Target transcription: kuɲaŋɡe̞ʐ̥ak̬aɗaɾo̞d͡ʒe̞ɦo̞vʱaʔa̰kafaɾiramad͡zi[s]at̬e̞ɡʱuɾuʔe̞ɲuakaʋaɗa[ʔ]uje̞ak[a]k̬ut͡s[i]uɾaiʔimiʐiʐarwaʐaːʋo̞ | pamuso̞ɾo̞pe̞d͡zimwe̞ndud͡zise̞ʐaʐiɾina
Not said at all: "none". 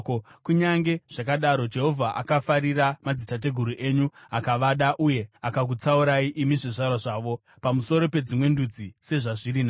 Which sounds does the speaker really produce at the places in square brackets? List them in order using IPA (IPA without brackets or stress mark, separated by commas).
t, ʔ, a, a